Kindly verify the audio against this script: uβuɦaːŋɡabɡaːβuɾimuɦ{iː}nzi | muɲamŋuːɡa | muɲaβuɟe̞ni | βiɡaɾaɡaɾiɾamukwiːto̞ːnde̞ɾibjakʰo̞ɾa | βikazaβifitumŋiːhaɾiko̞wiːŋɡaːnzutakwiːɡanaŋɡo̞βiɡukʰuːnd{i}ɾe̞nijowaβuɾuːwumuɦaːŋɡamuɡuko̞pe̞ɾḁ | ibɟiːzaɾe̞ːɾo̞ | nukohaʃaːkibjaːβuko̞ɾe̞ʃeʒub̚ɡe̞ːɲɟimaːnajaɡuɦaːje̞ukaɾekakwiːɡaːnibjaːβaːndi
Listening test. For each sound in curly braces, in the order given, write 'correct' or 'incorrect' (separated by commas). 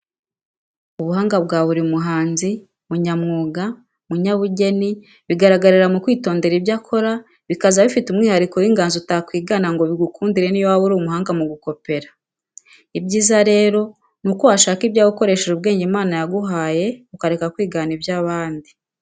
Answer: incorrect, correct